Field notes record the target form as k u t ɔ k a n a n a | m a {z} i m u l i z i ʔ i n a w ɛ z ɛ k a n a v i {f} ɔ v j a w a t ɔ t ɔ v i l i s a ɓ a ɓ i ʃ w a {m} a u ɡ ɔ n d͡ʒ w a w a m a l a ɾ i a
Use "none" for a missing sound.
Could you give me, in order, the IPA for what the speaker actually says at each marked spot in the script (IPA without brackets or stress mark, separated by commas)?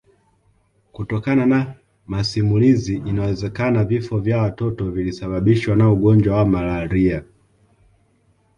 s, f, n